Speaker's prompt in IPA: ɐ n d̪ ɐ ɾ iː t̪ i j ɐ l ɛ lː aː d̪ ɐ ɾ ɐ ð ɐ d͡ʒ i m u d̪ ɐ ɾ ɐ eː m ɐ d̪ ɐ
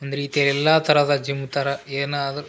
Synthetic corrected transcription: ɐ n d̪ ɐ ɾ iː t̪ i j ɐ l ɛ lː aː t̪ ɐ ɾ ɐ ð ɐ d͡ʒ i m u t̪ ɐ ɾ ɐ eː n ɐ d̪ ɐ